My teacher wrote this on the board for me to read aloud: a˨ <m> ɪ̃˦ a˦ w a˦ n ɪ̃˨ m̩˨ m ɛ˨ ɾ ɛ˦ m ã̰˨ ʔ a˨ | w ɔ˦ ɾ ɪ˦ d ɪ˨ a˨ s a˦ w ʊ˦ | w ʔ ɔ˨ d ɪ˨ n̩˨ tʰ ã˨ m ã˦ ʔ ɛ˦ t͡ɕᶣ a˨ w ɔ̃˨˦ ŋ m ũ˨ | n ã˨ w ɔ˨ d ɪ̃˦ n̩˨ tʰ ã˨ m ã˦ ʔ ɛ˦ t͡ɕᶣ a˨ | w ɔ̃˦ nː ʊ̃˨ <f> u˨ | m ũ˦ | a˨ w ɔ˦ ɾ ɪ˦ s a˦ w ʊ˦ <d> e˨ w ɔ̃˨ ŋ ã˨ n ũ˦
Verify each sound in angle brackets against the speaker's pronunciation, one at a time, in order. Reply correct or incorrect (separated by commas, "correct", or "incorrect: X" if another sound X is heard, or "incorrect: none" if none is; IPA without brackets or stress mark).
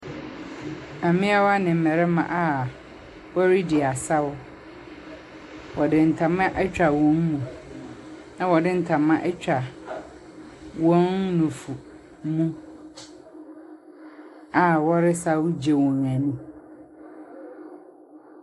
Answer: correct, correct, incorrect: d͡ʑ